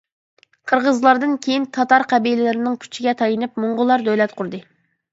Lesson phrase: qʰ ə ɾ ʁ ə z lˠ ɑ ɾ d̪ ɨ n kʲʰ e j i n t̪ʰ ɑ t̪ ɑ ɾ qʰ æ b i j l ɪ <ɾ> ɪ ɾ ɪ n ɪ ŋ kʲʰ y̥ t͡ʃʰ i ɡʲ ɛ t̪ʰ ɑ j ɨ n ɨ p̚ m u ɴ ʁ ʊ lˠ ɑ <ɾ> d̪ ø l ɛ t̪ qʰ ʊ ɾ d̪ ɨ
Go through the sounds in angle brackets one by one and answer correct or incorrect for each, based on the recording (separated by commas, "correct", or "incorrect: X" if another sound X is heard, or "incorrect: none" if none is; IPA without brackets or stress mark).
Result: incorrect: l, correct